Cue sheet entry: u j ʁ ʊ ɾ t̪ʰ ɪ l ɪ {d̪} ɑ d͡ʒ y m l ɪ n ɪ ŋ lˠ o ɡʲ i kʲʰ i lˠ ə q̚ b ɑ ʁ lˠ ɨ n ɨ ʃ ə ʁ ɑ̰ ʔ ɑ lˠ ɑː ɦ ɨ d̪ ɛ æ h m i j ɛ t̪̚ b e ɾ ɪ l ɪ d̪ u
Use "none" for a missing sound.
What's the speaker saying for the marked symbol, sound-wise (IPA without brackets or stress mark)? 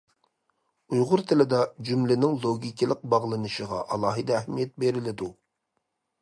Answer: d̪